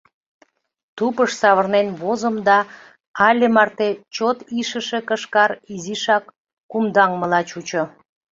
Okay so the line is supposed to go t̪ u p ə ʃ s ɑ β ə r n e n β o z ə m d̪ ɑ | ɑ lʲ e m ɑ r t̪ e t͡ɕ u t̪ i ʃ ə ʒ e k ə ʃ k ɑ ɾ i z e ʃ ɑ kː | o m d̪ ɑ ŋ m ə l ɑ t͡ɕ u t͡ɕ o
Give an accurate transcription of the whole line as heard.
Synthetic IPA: t̪ u p ə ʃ s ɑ β ə r n e n β o z ə m d̪ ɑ | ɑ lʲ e m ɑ r t̪ e t͡ɕ o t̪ i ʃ ə ʃ e k ə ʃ k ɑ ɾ i z i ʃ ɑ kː | u m d̪ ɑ ŋ m ə l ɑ t͡ɕ u t͡ɕ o